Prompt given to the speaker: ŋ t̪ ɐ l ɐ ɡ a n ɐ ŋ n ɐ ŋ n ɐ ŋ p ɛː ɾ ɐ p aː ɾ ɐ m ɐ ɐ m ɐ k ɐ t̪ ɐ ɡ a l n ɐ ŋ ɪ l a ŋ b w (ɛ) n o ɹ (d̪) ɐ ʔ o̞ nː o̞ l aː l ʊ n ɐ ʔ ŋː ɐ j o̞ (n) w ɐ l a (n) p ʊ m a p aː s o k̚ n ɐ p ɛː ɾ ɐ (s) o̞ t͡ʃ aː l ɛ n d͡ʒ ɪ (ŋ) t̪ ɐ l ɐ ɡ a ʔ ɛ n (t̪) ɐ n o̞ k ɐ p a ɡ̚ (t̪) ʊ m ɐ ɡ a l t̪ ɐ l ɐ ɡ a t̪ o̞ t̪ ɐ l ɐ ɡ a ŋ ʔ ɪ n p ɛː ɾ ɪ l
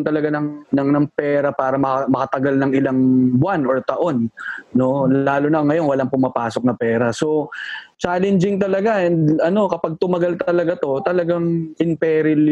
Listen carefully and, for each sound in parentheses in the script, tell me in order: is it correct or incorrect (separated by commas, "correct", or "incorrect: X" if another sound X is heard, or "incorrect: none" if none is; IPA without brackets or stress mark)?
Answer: incorrect: a, incorrect: t̪, correct, incorrect: ŋ, correct, correct, incorrect: d̪, correct